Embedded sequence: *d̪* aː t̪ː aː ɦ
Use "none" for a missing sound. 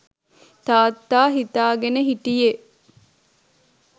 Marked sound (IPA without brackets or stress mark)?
t̪